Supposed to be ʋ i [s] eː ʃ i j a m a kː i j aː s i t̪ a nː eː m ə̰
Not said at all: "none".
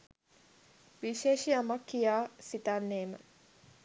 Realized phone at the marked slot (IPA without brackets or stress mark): ʃ